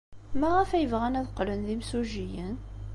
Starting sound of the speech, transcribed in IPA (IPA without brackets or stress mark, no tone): m